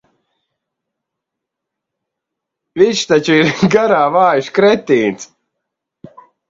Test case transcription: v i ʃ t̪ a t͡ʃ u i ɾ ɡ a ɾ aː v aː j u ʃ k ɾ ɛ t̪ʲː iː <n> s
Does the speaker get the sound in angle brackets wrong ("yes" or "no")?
no